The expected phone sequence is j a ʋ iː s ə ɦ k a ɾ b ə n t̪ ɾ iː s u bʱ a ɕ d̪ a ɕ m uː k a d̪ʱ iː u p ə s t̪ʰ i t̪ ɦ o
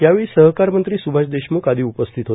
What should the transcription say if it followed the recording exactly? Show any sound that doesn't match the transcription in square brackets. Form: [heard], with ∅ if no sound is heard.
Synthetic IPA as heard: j a ʋ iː s ə ɦ k a ɾ [m] ə n t̪ ɾ iː s u bʱ a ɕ d̪ [e] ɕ m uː k a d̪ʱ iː u p ə s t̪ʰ i t̪ ɦ o